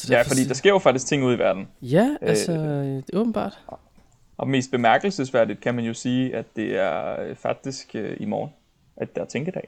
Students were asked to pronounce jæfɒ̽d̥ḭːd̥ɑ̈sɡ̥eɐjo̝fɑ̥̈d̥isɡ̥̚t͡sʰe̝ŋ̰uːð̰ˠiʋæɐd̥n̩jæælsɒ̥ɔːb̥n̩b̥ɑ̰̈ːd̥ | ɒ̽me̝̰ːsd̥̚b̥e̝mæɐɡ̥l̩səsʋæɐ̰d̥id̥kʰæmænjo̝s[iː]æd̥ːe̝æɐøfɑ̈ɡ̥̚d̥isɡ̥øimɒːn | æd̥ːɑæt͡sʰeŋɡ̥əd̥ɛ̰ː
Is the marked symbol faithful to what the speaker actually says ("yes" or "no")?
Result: yes